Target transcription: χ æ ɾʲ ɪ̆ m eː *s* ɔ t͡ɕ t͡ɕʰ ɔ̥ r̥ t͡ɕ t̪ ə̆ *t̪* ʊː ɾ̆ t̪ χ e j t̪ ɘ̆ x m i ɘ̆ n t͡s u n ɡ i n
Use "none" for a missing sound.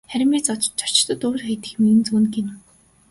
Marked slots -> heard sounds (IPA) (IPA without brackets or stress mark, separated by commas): t͡s, t̪